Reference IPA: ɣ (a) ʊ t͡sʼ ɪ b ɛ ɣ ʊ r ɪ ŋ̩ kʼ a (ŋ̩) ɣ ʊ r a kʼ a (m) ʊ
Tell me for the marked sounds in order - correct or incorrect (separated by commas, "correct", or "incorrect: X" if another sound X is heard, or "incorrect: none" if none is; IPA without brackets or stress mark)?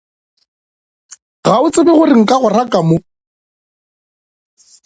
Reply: correct, incorrect: none, correct